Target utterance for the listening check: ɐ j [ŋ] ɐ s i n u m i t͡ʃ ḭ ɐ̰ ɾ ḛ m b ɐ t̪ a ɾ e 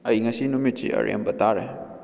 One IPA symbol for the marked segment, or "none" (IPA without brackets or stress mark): ŋ